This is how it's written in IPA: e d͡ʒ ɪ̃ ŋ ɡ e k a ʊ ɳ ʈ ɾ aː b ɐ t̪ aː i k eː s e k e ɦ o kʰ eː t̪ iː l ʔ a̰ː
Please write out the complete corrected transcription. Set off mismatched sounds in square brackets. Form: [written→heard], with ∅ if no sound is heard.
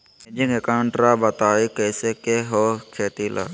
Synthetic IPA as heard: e d͡ʒ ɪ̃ ŋ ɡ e k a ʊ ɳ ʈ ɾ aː b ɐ t̪ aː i k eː s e k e ɦ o kʰ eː t̪ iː l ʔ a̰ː